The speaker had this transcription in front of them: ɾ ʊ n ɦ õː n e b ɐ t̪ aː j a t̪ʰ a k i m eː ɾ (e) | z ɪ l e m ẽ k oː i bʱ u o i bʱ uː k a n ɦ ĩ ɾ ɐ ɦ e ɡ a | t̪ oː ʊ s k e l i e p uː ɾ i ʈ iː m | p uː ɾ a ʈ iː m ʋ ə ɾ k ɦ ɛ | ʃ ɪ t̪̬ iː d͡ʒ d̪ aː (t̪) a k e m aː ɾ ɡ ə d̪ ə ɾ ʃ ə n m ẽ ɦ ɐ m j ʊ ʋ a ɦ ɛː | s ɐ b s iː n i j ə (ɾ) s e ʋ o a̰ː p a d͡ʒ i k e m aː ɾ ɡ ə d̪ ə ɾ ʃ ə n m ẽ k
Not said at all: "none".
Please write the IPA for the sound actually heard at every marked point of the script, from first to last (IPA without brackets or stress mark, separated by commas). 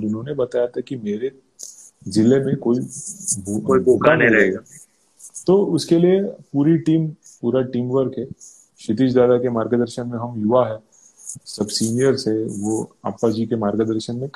e, d̪, ɾ